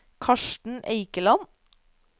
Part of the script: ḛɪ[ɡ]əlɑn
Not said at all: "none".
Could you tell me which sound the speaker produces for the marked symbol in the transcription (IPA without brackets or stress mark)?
k